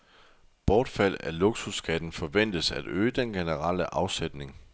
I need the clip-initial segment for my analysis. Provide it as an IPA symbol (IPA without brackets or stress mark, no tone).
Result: b̥